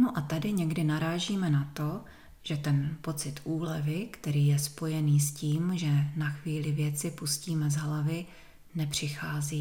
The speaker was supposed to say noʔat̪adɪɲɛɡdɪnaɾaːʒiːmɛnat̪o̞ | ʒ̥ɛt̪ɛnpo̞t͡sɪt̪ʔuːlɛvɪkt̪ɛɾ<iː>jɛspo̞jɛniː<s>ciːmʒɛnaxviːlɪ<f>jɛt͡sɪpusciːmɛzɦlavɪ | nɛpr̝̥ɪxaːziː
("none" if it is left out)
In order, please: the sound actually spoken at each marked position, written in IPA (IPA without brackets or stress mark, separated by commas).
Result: iː, s, v